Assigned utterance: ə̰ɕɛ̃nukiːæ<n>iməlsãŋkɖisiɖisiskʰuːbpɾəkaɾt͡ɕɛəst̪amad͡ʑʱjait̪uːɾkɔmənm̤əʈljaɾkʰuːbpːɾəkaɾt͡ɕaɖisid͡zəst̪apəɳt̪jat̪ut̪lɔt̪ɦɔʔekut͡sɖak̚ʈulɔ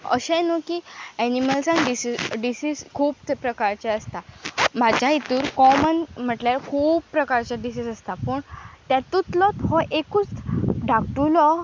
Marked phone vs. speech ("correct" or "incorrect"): correct